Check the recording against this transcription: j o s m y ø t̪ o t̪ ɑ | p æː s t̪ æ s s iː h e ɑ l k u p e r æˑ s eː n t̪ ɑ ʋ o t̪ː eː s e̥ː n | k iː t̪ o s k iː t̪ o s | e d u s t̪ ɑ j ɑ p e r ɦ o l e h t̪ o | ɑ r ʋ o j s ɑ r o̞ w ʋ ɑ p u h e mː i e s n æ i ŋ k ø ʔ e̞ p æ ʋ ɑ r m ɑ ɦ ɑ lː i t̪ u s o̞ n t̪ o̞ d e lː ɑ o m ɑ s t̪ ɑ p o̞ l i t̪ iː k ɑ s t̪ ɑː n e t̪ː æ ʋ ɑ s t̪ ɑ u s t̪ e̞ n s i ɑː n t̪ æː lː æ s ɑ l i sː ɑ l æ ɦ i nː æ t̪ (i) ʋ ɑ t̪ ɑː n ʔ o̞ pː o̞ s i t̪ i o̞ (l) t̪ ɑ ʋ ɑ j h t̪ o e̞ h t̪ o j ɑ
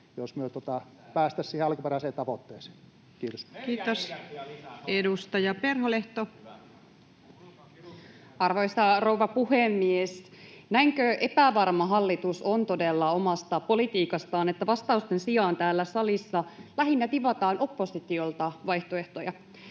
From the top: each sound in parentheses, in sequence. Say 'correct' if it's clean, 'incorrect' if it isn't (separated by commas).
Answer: correct, correct